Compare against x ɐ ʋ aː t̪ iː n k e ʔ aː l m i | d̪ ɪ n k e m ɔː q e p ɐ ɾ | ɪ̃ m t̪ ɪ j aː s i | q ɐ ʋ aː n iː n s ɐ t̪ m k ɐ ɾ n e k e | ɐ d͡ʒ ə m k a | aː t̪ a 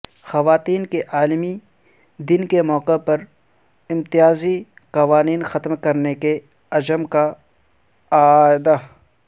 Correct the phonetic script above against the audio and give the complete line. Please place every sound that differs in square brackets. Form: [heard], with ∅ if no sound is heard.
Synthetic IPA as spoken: x ɐ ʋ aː t̪ iː n k e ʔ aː l m i | d̪ ɪ n k e m ɔː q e p ɐ ɾ | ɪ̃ m t̪ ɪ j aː [z] i | q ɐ ʋ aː n iː n [x] ɐ t̪ m k ɐ ɾ n e k e | ɐ d͡ʒ ə m k a | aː [d̪] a